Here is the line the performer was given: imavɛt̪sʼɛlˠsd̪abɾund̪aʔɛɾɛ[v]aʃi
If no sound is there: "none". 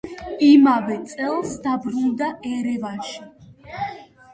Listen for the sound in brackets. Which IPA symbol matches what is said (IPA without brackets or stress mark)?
v